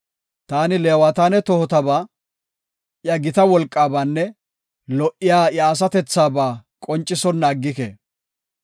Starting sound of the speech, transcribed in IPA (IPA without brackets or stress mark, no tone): t̪